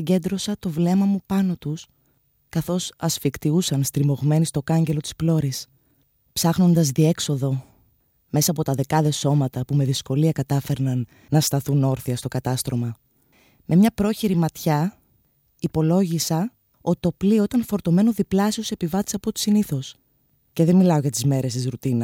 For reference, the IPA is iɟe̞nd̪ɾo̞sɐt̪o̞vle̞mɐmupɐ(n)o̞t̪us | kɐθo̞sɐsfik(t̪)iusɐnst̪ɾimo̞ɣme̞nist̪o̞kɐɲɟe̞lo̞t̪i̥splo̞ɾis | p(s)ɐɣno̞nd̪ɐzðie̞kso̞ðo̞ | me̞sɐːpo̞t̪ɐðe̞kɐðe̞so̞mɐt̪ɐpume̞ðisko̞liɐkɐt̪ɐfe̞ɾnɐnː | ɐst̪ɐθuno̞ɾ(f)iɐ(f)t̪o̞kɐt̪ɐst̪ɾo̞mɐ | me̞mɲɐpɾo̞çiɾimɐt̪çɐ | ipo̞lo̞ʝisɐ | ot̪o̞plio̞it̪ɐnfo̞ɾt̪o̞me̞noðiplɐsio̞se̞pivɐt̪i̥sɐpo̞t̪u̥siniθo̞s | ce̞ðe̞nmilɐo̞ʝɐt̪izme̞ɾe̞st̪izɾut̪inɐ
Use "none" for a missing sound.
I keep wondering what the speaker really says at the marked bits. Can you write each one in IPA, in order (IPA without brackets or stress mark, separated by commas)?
n, t̪, s, θ, s